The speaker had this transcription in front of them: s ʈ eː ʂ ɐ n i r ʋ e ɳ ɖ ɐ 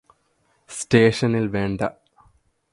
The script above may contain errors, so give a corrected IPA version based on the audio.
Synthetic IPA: s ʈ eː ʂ ɐ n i l ʋ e ɳ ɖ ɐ